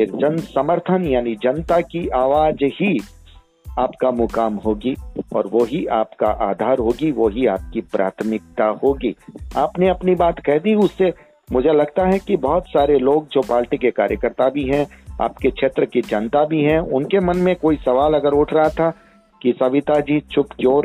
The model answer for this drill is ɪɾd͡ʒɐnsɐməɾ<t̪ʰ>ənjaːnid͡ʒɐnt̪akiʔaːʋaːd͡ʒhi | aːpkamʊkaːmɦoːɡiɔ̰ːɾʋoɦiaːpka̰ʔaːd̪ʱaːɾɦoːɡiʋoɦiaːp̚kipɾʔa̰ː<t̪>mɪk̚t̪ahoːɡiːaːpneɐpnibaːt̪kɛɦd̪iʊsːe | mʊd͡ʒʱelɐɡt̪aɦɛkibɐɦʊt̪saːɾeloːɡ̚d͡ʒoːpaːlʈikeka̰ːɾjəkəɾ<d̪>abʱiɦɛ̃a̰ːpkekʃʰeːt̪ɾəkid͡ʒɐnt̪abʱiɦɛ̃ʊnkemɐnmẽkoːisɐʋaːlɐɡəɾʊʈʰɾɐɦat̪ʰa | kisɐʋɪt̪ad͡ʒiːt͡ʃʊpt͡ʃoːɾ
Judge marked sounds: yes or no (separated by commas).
yes, no, no